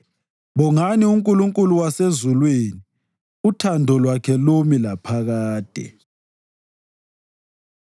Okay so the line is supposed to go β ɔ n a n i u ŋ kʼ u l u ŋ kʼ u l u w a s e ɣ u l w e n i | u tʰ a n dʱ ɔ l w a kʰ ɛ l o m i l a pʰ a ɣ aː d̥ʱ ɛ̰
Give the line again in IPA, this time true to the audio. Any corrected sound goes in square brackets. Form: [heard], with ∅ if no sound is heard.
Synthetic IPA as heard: β ɔ [ŋ] a n i u ŋ kʼ u l u ŋ kʼ u l u w a s e [z] u l w e n i | u tʰ a n dʱ ɔ l w a kʰ ɛ l o m i l a pʰ a ɣ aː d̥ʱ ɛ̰